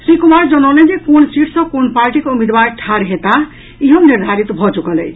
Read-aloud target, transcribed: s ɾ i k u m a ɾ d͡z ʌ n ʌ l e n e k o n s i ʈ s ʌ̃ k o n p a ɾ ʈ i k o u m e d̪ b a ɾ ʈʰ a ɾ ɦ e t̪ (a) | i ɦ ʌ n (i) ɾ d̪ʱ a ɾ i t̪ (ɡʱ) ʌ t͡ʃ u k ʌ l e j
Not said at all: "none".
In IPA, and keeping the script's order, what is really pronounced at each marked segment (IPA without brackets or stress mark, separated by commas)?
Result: a, i, bʱ